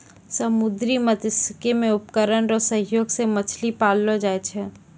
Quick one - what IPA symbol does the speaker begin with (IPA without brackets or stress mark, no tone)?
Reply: s